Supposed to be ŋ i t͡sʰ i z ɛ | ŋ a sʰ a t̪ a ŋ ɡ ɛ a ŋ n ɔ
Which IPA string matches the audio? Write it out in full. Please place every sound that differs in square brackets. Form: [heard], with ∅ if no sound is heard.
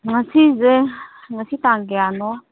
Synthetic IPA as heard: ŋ [a] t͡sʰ i z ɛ | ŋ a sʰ [i] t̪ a ŋ ɡ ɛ a [∅] n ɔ